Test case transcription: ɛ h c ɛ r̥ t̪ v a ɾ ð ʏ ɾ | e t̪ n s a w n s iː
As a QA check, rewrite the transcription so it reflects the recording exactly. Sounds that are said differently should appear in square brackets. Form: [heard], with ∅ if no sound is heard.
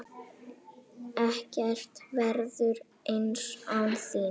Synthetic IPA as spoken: ɛ h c ɛ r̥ t̪ v [ɛ] ɾ ð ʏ ɾ | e [∅] n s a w n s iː